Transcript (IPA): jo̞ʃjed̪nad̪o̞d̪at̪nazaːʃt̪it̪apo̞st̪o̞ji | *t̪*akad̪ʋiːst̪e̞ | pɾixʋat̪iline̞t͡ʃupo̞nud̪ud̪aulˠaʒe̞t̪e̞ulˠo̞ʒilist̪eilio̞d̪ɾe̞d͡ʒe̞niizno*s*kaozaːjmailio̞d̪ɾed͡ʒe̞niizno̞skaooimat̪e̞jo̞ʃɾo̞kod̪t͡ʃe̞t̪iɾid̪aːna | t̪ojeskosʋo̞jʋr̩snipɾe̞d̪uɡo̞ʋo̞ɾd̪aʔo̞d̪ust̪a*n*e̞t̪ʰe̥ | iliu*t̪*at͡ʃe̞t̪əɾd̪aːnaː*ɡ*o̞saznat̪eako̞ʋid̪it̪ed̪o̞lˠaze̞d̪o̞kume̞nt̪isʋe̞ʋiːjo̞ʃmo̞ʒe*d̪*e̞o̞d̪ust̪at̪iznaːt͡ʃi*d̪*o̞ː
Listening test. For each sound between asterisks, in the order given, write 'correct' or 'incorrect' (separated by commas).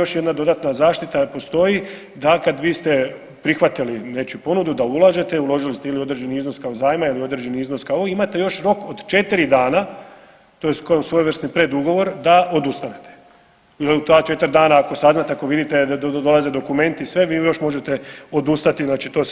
incorrect, correct, correct, correct, incorrect, incorrect, incorrect